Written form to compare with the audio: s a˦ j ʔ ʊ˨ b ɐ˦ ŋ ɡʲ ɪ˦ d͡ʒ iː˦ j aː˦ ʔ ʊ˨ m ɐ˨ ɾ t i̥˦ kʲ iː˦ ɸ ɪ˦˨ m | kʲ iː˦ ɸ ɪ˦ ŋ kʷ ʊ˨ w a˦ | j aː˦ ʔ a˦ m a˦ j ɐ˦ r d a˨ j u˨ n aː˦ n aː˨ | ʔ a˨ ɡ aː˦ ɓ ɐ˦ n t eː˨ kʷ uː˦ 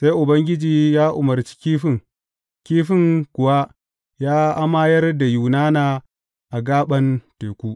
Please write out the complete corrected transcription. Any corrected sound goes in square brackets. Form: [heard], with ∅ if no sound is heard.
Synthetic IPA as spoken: s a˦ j ʔ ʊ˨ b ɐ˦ ŋ ɡʲ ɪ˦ d͡ʒ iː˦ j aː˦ ʔ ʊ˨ m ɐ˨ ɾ [t͡ʃ] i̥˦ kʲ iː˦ ɸ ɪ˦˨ [ŋ] | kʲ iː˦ ɸ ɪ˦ ŋ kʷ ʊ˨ w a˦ | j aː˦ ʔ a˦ m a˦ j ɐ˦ r d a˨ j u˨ n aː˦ n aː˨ | ʔ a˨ ɡ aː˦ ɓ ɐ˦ n t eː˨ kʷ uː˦